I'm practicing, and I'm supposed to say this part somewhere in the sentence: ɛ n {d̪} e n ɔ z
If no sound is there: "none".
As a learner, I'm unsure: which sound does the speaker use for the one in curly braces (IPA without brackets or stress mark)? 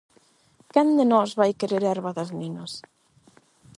d̪